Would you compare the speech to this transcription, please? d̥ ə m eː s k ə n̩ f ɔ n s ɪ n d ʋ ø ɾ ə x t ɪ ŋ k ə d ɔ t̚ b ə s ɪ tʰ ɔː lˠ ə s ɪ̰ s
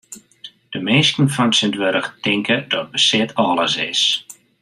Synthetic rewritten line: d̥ ə m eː s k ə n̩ f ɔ n s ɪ n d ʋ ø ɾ ə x t ɪ ŋ k ə d ɔ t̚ b ə s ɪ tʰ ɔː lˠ ə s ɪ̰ s